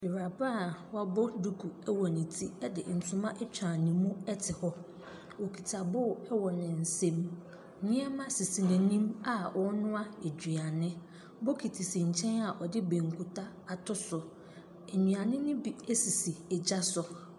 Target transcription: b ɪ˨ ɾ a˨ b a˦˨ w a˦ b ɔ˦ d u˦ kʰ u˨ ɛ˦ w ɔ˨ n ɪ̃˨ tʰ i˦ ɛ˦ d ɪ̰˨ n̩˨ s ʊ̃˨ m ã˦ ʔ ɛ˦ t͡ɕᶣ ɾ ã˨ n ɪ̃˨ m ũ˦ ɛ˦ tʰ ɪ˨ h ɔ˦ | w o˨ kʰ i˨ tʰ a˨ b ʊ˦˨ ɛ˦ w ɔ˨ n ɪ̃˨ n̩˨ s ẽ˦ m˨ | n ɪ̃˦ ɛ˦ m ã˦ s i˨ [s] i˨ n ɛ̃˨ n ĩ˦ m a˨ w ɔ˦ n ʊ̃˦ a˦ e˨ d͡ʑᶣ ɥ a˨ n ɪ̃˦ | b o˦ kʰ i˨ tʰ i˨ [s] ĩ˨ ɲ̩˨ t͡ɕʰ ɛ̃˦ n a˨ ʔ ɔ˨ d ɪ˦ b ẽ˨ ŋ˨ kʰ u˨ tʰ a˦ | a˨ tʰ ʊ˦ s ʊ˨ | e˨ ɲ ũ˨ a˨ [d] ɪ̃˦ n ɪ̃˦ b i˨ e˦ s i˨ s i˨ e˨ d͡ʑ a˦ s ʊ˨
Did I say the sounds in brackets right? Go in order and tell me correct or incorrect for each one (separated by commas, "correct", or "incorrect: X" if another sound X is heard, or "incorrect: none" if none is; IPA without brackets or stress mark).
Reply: correct, correct, incorrect: n